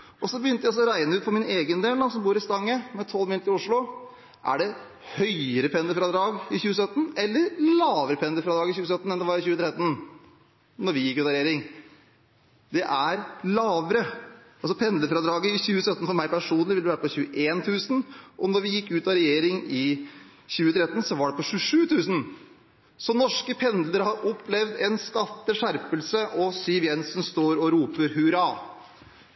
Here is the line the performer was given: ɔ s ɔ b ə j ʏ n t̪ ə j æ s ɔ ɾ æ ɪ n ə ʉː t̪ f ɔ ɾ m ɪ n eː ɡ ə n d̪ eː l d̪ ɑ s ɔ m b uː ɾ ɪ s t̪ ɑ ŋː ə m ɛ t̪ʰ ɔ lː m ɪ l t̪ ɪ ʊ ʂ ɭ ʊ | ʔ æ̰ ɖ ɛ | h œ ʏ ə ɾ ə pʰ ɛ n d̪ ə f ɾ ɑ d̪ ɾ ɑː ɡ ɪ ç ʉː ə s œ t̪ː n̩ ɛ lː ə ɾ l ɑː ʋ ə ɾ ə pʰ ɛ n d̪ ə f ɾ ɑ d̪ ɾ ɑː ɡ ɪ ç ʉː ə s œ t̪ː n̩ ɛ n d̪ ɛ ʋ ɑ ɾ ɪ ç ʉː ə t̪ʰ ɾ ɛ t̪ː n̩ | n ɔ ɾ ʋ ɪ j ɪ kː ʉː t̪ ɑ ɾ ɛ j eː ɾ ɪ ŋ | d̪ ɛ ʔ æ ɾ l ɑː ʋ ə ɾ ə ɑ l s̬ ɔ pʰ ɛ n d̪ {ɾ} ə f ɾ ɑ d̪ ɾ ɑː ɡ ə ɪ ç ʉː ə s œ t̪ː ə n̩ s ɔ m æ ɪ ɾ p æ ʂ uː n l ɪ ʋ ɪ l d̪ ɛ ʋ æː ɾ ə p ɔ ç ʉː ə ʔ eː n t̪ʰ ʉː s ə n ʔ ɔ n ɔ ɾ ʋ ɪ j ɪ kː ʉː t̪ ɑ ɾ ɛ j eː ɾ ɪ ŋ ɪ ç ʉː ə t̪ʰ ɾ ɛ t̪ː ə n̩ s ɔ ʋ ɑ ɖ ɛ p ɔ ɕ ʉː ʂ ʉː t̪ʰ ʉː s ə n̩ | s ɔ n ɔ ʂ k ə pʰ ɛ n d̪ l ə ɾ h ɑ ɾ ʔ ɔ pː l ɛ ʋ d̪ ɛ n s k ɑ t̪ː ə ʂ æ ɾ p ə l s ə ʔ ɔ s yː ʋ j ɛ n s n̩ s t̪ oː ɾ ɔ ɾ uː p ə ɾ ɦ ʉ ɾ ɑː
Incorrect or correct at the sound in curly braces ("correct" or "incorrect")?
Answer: incorrect